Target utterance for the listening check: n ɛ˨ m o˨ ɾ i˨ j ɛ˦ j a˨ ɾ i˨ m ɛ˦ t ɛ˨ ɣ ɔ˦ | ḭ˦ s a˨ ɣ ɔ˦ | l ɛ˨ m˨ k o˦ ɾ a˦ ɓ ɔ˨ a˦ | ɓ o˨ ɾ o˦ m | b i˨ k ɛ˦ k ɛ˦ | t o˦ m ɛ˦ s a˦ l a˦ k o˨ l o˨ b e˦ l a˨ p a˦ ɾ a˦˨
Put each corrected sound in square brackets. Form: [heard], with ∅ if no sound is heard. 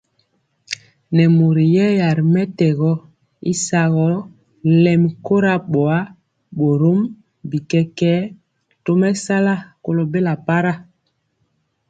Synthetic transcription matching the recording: n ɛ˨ m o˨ ɾ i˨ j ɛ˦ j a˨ ɾ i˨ m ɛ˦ t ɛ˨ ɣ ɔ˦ | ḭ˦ s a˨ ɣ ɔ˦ | l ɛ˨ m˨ k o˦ ɾ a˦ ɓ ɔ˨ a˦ | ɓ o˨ ɾ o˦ m | b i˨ k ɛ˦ k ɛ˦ | t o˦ m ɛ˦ s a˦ l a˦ k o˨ l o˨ b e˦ l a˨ p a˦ ɾ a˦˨